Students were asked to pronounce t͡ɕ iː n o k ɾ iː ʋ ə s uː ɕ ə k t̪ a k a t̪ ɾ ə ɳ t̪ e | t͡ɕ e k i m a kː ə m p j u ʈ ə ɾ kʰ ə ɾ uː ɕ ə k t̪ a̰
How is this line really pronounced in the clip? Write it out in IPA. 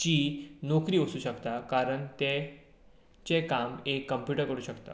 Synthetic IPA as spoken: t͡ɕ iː n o k ɾ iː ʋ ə s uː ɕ ə k t̪ a k a ɾ ə ɳ t̪ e | t͡ɕ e k a m e kː ə m p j u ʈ ə ɾ k ə ɾ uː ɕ ə k t̪ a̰